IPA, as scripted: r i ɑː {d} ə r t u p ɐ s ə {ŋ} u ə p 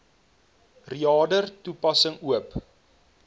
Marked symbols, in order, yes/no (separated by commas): yes, yes